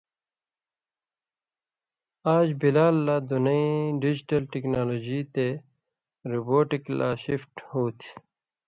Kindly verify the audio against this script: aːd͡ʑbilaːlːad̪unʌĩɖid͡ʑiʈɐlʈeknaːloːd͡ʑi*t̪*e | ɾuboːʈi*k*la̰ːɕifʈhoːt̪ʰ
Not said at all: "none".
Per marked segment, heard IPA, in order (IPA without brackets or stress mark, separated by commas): t̪, k